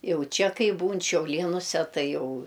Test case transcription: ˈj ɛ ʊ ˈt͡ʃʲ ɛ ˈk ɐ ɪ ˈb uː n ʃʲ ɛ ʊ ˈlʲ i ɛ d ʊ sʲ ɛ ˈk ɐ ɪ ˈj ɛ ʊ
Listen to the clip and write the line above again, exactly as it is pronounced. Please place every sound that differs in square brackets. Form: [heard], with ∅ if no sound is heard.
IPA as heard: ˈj ɛ ʊ ˈt͡ʃʲ ɛ ˈk ɐ ɪ ˈb uː n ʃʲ ɛ ʊ ˈlʲ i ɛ [n] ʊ sʲ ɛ [ˈt] ɐ ɪ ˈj ɛ ʊ